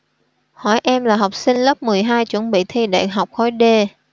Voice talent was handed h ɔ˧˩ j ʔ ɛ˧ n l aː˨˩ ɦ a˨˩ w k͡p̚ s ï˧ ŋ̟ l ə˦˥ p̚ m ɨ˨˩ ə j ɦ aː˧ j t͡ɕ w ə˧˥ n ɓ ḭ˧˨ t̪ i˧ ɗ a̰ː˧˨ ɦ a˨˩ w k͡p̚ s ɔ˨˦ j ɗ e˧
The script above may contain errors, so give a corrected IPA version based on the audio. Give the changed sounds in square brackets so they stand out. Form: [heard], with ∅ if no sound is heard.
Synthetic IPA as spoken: h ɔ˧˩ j ʔ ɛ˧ [m] l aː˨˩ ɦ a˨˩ w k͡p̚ s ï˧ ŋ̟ l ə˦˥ p̚ m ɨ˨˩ ə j ɦ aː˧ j t͡ɕ w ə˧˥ n ɓ ḭ˧˨ [t̪ʰ] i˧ ɗ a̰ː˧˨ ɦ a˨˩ w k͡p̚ [x] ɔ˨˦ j ɗ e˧